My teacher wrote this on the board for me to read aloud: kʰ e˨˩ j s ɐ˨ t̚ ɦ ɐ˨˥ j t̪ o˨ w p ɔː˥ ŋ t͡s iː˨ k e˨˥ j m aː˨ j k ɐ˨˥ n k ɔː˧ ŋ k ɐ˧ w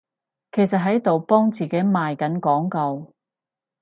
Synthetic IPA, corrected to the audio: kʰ e˨˩ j s ɐ˨ t̚ ɦ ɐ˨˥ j t̪ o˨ w p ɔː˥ ŋ t͡s iː˨ k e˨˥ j m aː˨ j k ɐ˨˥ n k ɔː˨˥ ŋ k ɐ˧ w